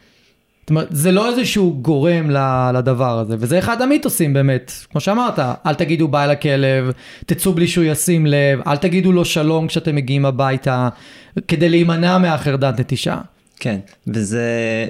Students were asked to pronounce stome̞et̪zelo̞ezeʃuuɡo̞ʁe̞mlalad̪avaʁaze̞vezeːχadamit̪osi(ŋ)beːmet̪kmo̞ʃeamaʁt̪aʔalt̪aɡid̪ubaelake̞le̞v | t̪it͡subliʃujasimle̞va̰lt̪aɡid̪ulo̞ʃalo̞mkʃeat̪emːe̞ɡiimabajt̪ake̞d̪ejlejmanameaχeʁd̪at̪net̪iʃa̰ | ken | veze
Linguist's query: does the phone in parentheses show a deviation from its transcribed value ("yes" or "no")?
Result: yes